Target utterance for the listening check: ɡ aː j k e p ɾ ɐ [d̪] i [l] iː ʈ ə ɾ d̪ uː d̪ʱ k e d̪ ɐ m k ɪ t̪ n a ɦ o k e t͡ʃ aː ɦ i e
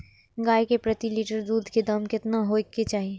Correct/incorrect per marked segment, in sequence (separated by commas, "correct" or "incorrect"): incorrect, correct